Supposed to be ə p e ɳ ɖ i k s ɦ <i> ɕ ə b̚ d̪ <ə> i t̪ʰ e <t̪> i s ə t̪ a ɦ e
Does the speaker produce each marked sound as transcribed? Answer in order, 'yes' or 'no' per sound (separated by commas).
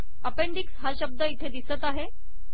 no, yes, no